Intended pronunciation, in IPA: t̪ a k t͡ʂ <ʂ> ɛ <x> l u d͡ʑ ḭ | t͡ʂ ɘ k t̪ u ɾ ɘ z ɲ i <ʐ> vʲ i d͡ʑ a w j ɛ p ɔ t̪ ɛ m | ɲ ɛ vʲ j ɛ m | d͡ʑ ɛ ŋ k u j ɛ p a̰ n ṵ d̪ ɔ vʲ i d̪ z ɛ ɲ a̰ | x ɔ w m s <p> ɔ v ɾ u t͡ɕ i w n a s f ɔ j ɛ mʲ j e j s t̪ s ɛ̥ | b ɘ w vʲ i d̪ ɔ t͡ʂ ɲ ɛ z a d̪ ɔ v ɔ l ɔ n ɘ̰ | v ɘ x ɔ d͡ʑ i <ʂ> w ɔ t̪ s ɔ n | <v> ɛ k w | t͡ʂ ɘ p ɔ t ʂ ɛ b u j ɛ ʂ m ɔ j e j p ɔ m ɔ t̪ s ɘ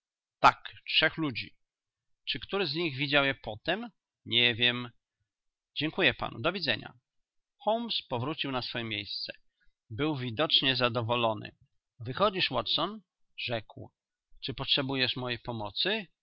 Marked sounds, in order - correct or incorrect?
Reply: correct, correct, incorrect: ɣ, correct, correct, incorrect: ʐ

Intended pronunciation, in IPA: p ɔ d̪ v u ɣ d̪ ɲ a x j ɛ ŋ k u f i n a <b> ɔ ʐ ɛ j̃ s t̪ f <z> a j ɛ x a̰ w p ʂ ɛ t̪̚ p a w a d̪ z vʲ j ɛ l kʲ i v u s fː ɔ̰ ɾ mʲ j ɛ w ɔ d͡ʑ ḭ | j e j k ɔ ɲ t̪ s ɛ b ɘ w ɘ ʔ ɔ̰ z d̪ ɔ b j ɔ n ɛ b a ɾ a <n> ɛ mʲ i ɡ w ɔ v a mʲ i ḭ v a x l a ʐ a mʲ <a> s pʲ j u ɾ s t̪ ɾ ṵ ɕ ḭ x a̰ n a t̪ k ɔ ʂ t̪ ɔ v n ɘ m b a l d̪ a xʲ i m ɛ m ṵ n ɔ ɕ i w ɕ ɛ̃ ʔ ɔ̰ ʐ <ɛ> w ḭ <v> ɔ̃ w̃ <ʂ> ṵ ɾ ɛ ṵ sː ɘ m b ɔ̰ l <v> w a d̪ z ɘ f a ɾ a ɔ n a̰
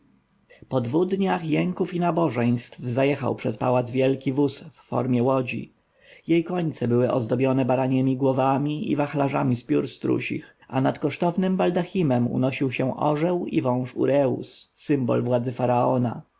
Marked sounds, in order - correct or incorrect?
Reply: correct, correct, incorrect: ɲ, incorrect: i, correct, correct, correct, correct

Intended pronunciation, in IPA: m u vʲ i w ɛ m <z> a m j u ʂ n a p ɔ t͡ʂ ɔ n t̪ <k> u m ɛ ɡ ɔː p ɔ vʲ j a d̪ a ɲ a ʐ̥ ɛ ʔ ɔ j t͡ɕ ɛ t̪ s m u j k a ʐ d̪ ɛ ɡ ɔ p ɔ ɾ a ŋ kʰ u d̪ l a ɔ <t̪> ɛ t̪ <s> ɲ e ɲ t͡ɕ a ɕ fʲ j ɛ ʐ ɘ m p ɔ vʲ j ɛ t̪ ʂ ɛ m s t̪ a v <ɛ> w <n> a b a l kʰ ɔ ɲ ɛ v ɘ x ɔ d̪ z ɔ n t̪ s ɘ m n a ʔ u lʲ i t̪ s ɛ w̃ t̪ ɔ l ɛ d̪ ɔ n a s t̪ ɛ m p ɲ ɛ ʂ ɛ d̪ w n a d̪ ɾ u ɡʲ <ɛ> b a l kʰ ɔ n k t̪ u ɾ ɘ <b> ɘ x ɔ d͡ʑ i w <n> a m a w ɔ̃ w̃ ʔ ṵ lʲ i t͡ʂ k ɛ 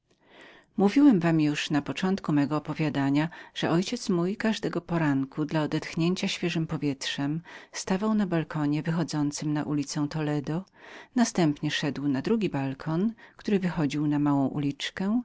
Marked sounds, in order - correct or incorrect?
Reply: incorrect: v, correct, incorrect: d̪, incorrect: x, incorrect: a, correct, incorrect: i, incorrect: v, correct

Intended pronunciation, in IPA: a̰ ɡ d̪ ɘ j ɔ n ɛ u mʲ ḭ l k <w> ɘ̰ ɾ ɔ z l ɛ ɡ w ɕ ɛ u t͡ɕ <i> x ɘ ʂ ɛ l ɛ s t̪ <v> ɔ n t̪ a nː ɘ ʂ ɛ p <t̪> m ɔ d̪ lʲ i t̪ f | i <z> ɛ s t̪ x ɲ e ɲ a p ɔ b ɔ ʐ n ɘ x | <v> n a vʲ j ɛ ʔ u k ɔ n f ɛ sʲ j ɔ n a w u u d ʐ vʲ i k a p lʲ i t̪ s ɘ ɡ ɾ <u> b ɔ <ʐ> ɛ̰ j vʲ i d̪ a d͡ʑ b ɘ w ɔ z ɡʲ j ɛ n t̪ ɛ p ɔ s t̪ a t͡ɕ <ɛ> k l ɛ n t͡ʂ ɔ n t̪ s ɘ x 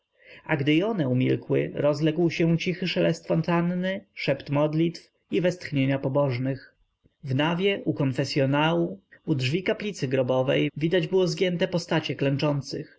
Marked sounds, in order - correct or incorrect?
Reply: correct, correct, incorrect: f, correct, incorrect: v, correct, incorrect: ɔ, incorrect: v, correct

